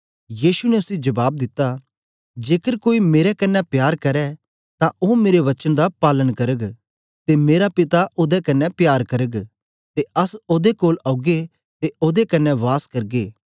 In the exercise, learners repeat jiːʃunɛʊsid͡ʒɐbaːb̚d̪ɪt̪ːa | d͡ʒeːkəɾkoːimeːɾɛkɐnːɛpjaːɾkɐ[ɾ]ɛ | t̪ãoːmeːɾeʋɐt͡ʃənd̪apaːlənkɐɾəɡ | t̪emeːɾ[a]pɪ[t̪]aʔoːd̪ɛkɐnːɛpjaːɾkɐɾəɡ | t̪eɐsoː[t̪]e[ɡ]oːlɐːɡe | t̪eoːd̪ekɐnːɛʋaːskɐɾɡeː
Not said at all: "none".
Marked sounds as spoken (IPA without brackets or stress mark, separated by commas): ɾ, a, t̪, d̪, k